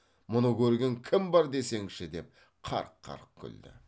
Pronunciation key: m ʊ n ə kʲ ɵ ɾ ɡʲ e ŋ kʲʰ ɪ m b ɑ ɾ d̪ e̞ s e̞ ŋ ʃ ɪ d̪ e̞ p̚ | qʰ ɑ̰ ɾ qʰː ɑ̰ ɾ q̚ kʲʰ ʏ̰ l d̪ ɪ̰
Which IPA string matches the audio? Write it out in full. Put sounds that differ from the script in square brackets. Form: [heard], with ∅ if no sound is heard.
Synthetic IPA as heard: m ʊ n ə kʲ ɵ ɾ ɡʲ e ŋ kʲʰ ɪ m b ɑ ɾ d̪ e̞ s e̞ ŋ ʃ ɪ d̪ e̞ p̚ | qʰ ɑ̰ ɾ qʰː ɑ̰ ɾ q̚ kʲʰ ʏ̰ l d̪ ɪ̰